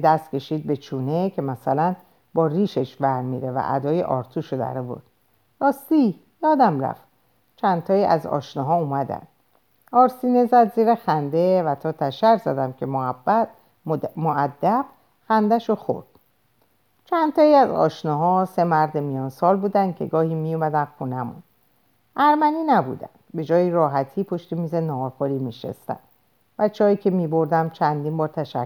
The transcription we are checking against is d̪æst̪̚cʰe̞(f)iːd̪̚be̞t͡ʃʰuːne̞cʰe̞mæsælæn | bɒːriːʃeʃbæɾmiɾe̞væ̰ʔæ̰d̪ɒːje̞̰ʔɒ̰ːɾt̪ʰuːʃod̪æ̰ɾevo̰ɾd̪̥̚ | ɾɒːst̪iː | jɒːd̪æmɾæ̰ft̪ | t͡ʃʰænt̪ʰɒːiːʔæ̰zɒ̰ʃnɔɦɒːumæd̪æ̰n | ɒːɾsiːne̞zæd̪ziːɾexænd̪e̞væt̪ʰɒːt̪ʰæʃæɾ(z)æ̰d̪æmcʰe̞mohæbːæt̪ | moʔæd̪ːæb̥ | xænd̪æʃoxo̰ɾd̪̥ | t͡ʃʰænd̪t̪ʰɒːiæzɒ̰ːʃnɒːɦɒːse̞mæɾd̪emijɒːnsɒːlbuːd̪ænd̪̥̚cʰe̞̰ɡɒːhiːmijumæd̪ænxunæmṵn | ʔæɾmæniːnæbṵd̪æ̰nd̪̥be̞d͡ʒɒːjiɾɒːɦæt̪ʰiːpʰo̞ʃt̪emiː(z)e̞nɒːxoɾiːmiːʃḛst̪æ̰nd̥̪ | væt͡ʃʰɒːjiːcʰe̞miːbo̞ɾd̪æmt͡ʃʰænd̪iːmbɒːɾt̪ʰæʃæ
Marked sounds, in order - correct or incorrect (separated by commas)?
incorrect, correct, correct